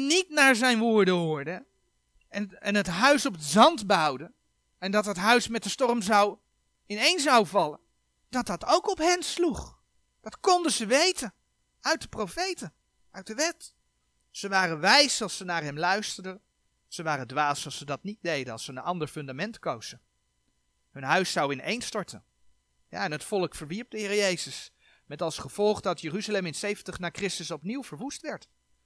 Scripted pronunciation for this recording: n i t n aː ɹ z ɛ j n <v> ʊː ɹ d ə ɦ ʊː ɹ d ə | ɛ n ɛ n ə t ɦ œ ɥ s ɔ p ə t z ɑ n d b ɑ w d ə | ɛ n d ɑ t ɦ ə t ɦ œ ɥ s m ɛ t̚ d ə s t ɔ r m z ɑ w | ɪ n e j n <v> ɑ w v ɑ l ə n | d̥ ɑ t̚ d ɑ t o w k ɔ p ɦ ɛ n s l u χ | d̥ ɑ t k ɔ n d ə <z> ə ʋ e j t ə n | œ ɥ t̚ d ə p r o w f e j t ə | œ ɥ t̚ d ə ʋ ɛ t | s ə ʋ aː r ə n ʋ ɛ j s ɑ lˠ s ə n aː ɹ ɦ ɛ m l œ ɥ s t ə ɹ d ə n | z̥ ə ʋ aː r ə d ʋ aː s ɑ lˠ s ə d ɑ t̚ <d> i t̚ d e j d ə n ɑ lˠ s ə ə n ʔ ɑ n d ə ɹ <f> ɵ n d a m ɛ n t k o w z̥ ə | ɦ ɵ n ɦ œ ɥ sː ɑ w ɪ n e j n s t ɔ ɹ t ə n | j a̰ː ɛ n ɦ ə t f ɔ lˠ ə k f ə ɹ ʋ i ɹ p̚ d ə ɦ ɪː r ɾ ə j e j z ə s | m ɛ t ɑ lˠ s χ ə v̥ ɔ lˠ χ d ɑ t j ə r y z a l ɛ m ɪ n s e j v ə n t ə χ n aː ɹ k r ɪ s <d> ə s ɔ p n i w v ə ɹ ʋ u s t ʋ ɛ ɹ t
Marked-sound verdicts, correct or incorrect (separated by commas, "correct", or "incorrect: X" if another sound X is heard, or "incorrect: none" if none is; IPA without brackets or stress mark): incorrect: ʋ, incorrect: z, correct, incorrect: n, correct, incorrect: t